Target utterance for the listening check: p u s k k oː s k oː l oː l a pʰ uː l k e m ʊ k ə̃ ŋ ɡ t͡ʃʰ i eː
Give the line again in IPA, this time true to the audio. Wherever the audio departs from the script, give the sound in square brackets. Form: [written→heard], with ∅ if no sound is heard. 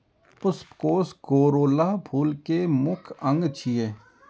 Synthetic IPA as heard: p [u→ʊ] s [k→p] k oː s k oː [l→ɾ] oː l a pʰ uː l k e m ʊ [k→kʰ] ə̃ ŋ ɡ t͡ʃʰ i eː